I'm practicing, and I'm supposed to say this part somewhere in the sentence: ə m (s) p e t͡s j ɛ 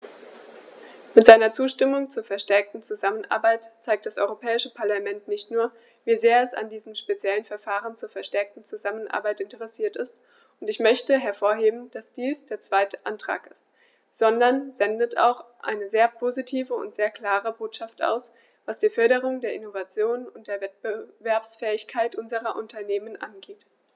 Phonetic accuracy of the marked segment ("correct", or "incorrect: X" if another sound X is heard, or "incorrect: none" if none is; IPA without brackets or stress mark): incorrect: ʃ